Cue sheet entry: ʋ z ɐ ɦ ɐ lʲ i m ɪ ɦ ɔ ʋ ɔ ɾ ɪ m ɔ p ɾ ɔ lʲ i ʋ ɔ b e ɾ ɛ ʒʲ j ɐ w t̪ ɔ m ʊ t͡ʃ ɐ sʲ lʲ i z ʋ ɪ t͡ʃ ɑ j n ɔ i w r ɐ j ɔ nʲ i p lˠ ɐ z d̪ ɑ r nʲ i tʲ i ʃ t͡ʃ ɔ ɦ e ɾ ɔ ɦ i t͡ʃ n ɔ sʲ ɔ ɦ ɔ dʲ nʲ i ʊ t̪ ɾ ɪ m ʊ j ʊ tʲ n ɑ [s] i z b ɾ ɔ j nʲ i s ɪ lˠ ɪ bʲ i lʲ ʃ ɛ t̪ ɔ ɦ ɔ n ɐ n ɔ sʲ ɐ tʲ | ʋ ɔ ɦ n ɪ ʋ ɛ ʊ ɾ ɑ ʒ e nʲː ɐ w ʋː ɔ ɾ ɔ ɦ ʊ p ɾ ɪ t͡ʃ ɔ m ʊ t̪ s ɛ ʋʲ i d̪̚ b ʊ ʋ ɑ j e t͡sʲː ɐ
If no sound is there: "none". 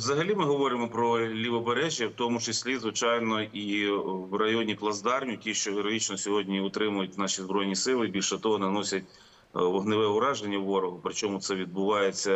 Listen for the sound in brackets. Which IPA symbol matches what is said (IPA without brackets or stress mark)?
ʃ